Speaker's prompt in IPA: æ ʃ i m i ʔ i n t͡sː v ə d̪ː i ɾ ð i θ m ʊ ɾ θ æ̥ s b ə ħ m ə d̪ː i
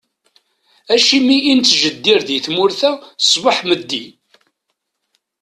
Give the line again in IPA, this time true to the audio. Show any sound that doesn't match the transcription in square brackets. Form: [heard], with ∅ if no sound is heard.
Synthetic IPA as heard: æ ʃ i m i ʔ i n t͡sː [ʒ] ə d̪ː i ɾ ð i θ m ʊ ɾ θ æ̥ s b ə ħ m ə d̪ː i